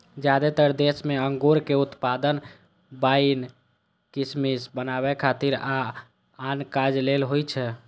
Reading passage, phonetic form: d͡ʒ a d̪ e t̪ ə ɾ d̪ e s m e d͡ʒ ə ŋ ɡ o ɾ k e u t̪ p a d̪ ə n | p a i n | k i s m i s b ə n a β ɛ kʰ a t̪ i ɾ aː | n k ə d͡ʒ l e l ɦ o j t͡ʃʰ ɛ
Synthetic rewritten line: d͡ʒ a d̪ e t̪ ə ɾ d̪ e s m e ə ŋ ɡ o ɾ k e u t̪ p a d̪ ə n | b a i n | k i s m i s b ə n a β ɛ kʰ a t̪ i ɾ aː | n k a d͡ʒ l e l ɦ o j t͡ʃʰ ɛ